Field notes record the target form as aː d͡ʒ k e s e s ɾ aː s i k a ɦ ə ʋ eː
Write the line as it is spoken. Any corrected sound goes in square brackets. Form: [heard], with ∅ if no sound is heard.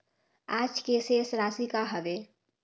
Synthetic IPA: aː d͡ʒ k e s e s ɾ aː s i k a ɦ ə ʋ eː